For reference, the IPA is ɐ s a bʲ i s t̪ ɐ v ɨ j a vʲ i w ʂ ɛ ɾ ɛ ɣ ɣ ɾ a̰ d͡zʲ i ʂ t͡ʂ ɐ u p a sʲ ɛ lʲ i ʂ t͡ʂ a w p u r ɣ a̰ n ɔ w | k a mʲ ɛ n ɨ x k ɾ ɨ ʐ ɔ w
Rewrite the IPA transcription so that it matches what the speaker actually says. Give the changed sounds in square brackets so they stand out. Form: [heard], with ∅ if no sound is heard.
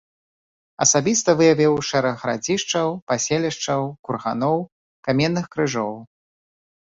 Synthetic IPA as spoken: ɐ s a bʲ i s t̪ ɐ v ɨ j a vʲ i w ʂ ɛ ɾ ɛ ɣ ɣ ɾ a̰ d͡zʲ i ʂ t͡ʂ ɐ [w] p a sʲ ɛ lʲ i ʂ t͡ʂ [ɐ] w [k] u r ɣ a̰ n ɔ w | k a mʲ ɛ [nː] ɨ x k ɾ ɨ ʐ ɔ w